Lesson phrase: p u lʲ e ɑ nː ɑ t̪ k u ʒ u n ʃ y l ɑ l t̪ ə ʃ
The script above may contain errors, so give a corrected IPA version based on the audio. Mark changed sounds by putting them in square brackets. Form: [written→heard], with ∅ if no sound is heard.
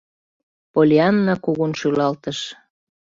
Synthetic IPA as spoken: p [u→o] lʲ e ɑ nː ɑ [t̪→∅] k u [ʒ→ɣ] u n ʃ y l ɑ l t̪ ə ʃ